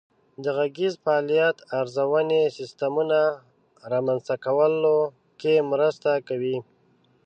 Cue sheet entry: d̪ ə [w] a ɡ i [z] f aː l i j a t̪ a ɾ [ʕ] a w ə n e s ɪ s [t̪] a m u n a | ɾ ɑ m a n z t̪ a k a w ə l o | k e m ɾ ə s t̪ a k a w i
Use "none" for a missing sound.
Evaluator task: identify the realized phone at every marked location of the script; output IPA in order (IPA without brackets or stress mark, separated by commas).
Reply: ɣ, z, z, t̪